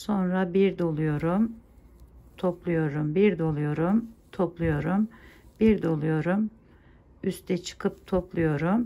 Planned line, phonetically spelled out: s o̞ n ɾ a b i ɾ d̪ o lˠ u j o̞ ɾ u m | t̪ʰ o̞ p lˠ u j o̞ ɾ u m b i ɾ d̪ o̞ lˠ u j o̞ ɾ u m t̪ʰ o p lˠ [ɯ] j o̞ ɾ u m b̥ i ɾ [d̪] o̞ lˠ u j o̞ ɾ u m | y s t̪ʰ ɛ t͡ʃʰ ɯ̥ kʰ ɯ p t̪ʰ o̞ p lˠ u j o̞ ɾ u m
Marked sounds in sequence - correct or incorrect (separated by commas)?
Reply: incorrect, correct